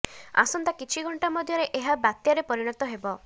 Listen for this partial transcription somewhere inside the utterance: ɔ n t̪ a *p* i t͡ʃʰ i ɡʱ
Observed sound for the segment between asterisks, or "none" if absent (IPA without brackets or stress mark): k